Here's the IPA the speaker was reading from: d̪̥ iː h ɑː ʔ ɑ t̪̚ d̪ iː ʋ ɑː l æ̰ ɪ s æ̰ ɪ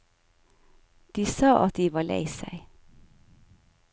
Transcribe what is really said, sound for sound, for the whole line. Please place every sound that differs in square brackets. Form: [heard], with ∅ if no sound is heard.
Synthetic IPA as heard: d̪̥ iː [s] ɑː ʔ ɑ t̪̚ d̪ iː ʋ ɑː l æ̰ ɪ s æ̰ ɪ